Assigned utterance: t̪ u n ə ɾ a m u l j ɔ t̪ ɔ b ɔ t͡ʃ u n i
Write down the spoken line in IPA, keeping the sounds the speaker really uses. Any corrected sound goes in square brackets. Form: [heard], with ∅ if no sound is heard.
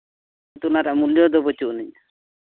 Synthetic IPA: t̪ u n [a] ɾ a m u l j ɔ [d̪] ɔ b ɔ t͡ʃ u n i